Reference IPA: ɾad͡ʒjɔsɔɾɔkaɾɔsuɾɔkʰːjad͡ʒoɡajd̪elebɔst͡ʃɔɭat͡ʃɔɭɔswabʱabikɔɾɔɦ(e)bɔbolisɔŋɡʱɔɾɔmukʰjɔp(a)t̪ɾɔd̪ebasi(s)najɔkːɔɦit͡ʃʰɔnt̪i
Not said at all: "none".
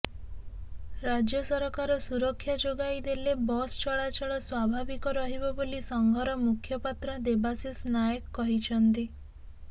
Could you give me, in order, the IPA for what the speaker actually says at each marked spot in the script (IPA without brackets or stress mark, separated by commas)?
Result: i, a, s